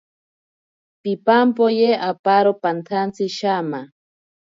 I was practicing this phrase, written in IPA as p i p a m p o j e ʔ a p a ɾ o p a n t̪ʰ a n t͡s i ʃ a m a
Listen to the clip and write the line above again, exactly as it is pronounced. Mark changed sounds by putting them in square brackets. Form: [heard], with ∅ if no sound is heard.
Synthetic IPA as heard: p i p a m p o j e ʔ a p a ɾ o p a n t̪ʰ a n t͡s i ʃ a m a